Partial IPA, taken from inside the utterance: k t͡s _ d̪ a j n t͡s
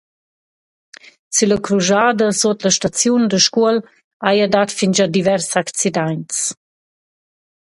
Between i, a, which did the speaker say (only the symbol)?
i